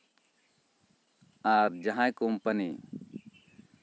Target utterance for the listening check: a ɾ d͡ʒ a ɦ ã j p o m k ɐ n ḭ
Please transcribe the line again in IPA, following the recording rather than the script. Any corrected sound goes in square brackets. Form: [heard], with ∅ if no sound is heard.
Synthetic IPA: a ɾ d͡ʒ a ɦ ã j [k] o m [p] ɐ n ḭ